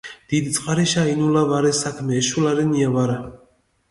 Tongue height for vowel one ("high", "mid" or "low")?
high